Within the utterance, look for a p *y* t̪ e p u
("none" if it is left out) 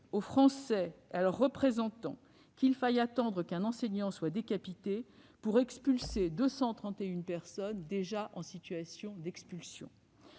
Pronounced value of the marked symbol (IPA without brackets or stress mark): i